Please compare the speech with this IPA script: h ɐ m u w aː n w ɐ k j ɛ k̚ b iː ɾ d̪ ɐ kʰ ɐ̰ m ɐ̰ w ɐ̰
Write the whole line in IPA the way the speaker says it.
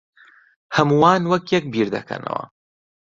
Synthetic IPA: h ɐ m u w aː n w ɐ k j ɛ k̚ b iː ɾ d̪ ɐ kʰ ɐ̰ n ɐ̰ w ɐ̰

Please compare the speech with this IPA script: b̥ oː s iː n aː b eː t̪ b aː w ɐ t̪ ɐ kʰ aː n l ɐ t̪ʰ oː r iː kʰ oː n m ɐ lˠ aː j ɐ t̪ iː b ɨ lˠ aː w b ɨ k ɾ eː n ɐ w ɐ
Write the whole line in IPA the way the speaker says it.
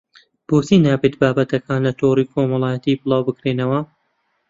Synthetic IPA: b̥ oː s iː n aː b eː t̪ b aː b ɐ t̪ ɐ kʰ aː n l ɐ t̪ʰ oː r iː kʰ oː m ɐ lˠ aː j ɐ t̪ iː b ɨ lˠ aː w b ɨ k ɾ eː n ɐ w ɐ

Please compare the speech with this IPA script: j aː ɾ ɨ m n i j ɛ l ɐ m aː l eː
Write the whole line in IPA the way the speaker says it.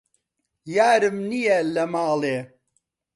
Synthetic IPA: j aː ɾ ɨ m n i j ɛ l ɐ m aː l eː

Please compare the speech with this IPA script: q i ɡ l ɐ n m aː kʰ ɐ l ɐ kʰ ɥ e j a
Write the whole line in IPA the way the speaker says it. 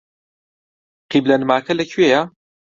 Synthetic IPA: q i b l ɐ n m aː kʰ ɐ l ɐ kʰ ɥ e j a

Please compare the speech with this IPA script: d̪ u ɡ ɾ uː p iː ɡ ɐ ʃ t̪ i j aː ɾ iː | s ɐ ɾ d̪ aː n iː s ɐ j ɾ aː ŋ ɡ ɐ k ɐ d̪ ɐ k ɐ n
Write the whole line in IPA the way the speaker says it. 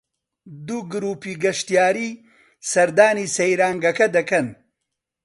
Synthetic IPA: d̪ u ɡ ɾ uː p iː ɡ ɐ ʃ t̪ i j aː ɾ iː | s ɐ ɾ d̪ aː n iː s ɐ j ɾ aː ŋ ɡ ɐ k ɐ d̪ ɐ k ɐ n

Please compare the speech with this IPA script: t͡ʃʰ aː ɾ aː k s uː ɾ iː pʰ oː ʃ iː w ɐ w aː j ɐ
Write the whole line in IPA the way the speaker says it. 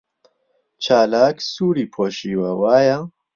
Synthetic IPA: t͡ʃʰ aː l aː k s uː ɾ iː pʰ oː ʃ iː w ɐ w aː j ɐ

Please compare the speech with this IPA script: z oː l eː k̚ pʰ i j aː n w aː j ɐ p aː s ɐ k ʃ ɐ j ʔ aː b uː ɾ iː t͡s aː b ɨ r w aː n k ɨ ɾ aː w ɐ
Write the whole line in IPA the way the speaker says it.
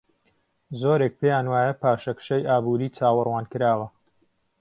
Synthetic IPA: z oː ɾ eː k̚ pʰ e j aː n w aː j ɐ p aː ʃ ɐ k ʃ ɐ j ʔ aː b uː ɾ iː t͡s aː w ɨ r w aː n k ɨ ɾ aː w ɐ

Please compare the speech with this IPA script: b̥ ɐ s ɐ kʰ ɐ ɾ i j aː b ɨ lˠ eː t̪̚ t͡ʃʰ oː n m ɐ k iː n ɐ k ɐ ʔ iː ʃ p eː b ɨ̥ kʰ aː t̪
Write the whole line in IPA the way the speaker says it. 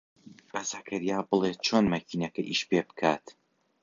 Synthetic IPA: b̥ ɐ z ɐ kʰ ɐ ɾ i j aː b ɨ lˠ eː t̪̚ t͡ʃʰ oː n m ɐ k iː n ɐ k ɐ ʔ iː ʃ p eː b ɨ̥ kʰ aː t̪

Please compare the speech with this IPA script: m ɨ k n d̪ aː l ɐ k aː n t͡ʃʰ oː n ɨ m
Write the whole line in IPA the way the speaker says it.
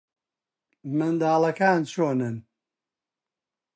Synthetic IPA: m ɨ n d̪ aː l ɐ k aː n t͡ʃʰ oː n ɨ n

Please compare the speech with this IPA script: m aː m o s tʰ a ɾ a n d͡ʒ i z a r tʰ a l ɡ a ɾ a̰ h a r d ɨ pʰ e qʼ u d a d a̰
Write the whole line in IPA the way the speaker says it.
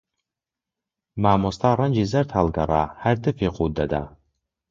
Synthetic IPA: m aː m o s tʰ a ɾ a n d͡ʒ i z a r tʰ a l ɡ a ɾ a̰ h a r d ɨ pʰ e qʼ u d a d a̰

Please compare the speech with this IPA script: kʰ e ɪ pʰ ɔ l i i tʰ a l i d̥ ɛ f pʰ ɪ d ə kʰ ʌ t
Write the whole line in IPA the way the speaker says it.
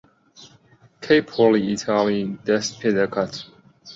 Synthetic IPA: kʰ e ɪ pʰ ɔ l i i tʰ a l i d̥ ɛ s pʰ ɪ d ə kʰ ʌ t

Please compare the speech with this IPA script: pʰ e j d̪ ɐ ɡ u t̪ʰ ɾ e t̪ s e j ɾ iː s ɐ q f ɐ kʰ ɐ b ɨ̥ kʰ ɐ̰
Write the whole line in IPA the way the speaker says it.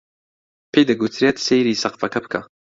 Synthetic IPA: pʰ e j d̪ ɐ ɡ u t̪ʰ ɾ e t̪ s e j ɾ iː s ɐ q f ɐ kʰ ɐ b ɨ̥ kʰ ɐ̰

